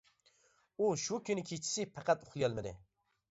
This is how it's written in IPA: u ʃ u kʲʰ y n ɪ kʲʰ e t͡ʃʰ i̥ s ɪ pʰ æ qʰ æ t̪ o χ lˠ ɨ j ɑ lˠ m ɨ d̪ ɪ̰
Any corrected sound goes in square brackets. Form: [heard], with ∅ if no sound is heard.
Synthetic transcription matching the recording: u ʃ u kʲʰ y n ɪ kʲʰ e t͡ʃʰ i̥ s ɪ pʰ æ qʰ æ t̪ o χ lˠ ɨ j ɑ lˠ m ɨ d̪ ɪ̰